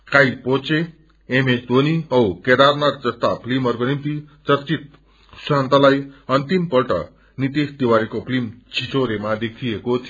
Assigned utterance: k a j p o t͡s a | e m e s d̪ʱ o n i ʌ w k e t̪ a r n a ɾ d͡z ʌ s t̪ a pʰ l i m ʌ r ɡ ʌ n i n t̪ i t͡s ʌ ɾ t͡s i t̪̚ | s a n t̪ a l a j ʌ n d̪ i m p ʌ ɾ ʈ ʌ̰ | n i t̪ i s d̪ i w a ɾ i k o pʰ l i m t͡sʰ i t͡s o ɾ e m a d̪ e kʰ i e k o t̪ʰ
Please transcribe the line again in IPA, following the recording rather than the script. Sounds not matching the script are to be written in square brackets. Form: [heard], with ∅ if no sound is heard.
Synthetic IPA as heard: k a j p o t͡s [e] | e m e s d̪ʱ o n i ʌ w k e [d̪] a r n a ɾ d͡z ʌ s t̪ a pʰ l i m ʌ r ɡ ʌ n i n t̪ i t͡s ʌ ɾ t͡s i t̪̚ | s a n t̪ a l a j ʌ n [t̪] i m p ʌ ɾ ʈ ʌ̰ | n i t̪ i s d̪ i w a ɾ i k o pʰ l i m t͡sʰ i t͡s o ɾ e m a d̪ e kʰ i e k o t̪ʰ